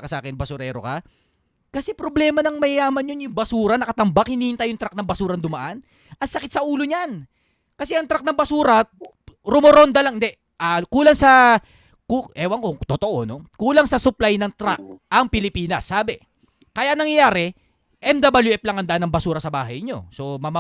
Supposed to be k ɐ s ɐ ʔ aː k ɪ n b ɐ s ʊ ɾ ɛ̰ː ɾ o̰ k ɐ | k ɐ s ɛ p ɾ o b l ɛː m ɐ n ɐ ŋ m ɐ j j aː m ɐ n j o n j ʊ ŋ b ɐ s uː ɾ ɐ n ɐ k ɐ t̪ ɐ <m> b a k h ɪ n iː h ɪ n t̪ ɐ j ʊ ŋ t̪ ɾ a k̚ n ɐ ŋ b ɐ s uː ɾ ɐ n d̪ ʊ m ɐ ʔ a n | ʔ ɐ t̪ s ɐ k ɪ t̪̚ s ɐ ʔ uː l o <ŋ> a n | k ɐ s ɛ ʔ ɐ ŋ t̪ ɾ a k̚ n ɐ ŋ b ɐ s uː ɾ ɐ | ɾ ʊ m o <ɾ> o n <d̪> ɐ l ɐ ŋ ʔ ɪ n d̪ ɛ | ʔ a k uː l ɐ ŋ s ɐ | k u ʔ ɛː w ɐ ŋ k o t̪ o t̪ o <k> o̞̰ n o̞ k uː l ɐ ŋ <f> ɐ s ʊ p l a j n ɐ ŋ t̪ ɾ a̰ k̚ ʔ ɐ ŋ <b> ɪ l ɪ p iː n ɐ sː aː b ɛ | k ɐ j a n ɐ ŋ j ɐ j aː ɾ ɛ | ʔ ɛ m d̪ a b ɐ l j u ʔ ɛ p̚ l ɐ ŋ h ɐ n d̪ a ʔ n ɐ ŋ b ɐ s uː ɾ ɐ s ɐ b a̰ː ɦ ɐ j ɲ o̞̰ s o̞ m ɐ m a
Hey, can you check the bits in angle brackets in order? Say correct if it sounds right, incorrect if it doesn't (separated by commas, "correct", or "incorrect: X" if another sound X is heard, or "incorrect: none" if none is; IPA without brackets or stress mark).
correct, incorrect: ɲ, correct, correct, incorrect: ʔ, incorrect: s, incorrect: p